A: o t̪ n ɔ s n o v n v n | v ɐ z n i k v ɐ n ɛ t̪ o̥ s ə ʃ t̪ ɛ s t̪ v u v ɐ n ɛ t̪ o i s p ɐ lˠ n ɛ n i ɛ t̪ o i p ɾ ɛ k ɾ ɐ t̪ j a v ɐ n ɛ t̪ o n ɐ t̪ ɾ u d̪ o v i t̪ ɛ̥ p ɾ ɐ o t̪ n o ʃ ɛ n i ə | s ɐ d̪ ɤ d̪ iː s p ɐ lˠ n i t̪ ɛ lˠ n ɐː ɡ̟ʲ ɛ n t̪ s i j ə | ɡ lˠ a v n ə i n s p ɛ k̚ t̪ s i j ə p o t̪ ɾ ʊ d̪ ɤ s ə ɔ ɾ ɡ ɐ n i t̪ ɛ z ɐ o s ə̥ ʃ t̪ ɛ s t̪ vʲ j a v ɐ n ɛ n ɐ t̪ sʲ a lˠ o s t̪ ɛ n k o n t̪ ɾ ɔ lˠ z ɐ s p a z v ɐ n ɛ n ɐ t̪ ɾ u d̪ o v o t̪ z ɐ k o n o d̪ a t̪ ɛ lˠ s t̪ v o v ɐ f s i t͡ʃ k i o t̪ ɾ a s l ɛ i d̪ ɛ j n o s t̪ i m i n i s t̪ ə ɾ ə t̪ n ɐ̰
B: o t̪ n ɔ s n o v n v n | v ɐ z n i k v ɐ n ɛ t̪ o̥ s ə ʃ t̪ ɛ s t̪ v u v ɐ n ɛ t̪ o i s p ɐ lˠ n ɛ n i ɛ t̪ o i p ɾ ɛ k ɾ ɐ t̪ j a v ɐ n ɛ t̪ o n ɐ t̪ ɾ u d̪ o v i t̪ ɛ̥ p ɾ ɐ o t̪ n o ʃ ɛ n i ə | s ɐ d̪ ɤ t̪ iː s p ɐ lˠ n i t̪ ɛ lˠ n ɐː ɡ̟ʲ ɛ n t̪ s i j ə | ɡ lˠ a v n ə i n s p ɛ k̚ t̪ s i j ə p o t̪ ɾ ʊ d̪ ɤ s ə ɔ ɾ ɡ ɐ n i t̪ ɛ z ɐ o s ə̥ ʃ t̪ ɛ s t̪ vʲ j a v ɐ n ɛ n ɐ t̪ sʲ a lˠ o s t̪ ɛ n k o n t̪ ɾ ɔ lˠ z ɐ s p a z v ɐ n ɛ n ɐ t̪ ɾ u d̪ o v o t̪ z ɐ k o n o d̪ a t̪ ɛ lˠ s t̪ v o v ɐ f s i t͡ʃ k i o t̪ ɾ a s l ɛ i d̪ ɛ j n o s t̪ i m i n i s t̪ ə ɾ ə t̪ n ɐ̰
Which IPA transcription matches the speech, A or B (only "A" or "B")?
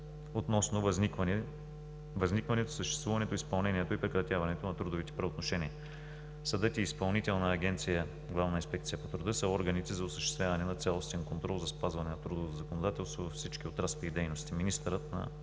B